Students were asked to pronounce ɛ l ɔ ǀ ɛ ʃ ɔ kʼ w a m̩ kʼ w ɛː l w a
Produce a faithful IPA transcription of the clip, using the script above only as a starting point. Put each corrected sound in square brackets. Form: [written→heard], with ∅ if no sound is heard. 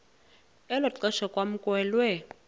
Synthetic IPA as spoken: ɛ l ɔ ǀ ɛ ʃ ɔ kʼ w a m̩ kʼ w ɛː l w [a→ɛ]